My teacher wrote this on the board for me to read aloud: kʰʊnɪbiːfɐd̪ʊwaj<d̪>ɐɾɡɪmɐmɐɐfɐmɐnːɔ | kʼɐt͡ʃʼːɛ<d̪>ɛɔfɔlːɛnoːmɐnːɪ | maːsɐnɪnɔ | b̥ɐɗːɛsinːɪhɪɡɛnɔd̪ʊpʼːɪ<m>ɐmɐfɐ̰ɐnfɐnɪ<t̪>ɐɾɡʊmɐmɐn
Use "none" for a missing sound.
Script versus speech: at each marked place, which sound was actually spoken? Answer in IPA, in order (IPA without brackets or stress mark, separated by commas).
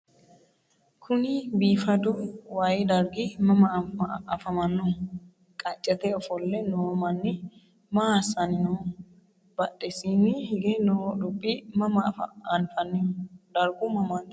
d̪, t̪, m, d̪